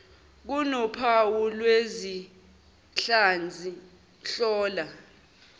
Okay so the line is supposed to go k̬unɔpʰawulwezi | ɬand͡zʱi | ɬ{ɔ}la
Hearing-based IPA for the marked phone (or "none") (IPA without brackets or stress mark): ɔː